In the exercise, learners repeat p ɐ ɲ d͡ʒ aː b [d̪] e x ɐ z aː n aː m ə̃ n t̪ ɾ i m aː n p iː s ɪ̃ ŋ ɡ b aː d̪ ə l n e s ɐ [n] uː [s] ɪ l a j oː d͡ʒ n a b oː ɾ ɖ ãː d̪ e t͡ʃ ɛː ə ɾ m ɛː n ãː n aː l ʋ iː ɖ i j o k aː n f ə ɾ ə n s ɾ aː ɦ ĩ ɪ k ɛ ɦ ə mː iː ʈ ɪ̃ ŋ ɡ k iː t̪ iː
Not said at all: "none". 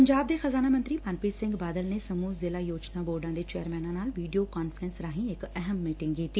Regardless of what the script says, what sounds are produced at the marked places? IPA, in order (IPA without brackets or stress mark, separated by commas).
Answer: d̪, m, z